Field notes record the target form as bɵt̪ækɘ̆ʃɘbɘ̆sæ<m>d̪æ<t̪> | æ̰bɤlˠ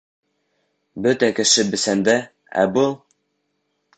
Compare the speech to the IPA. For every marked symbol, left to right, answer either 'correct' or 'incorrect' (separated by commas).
incorrect, incorrect